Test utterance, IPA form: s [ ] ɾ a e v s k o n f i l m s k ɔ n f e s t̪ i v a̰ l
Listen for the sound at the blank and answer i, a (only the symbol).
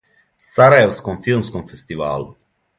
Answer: a